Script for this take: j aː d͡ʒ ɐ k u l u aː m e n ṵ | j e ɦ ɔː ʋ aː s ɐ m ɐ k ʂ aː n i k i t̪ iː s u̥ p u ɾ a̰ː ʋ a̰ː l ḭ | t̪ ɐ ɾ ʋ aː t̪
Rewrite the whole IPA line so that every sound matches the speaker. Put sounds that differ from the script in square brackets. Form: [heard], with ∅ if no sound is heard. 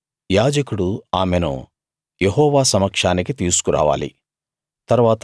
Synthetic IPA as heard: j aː d͡ʒ ɐ k u [ɽ] u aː m e n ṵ | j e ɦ ɔː ʋ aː s ɐ m ɐ k ʂ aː n i k i t̪ iː s u̥ [k] u ɾ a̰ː ʋ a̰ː l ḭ | t̪ ɐ ɾ ʋ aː t̪